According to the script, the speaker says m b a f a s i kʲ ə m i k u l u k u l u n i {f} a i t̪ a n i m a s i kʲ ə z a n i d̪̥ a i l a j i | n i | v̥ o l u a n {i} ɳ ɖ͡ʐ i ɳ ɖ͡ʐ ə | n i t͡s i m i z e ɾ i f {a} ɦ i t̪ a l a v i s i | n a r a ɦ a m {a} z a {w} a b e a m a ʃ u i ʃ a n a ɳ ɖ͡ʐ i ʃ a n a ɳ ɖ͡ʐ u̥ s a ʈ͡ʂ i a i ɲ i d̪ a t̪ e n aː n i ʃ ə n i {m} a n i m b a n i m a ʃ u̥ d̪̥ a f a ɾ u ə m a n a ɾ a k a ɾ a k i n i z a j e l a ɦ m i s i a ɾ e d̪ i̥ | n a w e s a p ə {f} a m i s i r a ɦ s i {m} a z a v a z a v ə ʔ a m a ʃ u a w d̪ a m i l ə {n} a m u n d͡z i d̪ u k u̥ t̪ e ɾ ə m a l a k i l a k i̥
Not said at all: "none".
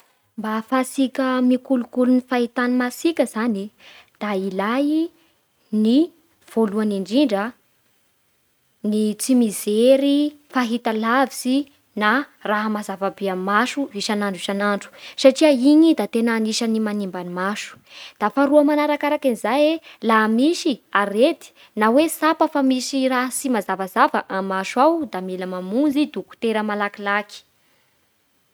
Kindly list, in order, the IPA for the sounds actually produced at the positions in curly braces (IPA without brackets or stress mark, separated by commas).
f, i, a, a, v, m, f, m, m